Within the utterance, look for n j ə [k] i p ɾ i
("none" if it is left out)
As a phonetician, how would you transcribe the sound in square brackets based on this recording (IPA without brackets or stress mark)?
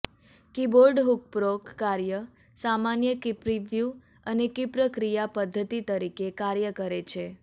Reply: k